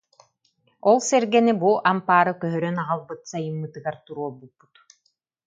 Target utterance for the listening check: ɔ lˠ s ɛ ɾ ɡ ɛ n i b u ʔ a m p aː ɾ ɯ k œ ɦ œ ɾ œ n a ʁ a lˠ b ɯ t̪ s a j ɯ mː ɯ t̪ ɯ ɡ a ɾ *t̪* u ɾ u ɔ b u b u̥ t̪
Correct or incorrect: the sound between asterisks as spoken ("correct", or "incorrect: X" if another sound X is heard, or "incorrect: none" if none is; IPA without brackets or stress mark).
correct